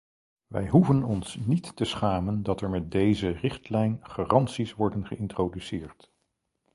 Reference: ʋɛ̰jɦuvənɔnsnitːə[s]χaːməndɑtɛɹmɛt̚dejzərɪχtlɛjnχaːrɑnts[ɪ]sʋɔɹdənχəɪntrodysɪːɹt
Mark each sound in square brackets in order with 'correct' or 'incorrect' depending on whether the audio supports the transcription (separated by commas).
correct, incorrect